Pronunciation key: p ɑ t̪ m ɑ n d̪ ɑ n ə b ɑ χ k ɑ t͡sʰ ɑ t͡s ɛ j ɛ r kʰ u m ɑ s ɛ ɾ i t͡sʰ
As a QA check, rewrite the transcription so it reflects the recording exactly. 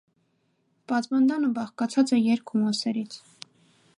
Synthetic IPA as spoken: p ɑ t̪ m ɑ n d̪ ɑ n ə b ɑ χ k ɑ t͡sʰ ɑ t͡s ɛ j ɛ ɾ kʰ u m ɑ s ɛ ɾ i t͡sʰ